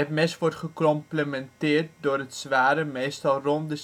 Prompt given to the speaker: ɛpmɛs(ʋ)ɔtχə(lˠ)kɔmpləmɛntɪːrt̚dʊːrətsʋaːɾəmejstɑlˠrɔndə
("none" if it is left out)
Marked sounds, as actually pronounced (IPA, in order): ʋ, none

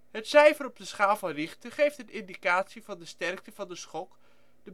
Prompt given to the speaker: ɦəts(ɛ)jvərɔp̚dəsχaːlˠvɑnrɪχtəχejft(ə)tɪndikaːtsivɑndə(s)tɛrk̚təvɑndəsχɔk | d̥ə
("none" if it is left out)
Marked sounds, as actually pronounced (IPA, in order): ɛ, ə, s

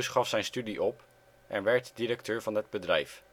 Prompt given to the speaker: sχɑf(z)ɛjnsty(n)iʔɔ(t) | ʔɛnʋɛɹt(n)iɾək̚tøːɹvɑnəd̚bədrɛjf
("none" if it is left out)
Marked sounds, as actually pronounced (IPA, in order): s, d, p, d

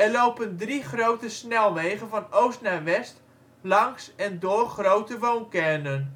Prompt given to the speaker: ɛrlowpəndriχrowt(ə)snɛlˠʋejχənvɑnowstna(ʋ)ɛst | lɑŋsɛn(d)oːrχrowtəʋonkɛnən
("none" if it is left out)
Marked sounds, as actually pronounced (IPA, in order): ə, ʋ, d

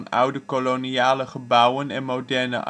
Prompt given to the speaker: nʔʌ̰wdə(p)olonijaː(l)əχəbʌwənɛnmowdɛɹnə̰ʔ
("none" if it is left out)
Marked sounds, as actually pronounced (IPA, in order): k, l

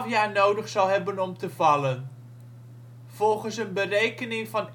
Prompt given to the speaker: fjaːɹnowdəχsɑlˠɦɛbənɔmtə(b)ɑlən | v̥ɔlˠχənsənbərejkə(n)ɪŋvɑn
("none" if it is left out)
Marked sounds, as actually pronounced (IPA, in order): v, n

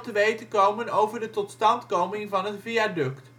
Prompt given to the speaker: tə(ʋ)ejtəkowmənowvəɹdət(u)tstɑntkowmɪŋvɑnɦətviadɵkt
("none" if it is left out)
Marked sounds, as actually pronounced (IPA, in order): ʋ, ɔ

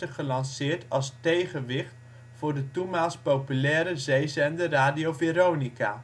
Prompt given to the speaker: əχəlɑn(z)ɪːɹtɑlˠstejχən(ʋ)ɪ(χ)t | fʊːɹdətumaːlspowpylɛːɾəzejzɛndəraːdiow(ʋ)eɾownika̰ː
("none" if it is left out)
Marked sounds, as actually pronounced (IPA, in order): s, ʋ, χ, v

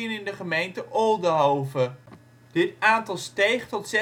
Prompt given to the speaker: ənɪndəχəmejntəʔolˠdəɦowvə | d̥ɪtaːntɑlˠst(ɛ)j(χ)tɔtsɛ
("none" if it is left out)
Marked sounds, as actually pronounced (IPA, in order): e, χ

